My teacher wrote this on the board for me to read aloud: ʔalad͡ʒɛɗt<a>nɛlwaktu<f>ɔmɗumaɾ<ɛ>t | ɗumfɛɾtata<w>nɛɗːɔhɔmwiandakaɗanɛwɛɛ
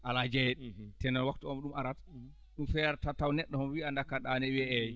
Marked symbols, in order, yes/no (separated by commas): no, no, no, yes